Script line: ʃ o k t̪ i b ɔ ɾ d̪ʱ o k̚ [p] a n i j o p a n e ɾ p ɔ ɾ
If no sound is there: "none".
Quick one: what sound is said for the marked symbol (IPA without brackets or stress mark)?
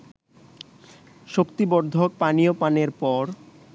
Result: p